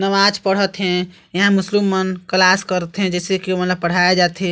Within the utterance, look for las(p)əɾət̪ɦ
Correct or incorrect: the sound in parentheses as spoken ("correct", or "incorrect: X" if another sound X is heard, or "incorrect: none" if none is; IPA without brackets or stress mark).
incorrect: k